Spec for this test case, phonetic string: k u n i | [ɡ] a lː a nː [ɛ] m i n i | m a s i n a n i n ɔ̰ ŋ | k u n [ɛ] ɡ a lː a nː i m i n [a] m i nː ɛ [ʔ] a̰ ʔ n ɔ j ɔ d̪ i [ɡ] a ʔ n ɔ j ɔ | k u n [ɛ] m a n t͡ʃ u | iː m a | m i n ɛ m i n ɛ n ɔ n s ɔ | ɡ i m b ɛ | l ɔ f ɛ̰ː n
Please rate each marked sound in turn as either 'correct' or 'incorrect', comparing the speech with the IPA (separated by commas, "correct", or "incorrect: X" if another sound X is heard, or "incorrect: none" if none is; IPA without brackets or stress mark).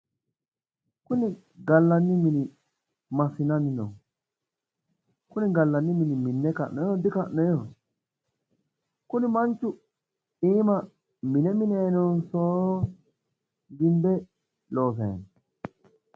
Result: correct, incorrect: i, incorrect: i, incorrect: i, incorrect: k, incorrect: k, incorrect: i